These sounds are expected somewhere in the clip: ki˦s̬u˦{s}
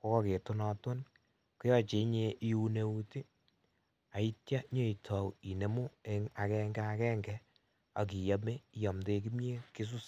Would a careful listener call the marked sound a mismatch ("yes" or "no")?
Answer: no